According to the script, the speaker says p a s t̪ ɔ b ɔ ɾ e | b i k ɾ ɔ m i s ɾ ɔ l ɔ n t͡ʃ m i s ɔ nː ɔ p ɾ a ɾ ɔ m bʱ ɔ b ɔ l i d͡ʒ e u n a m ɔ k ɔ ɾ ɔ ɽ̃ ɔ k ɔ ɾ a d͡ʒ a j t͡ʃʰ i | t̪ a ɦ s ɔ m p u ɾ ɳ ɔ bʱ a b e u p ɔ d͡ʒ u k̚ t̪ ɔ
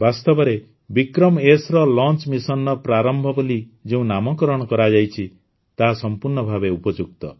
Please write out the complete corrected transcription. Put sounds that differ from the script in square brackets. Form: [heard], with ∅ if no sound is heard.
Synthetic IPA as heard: [b] a s t̪ ɔ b ɔ ɾ e | b i k ɾ ɔ m [e] s ɾ ɔ l ɔ n t͡ʃ m i s ɔ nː ɔ p ɾ a ɾ ɔ m bʱ ɔ b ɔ l i d͡ʒ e [ũ] n a m ɔ k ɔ ɾ ɔ ɽ̃ ɔ k ɔ ɾ a d͡ʒ a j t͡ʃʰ i | t̪ a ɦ s ɔ m p u ɾ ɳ ɔ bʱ a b e u p ɔ d͡ʒ u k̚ t̪ ɔ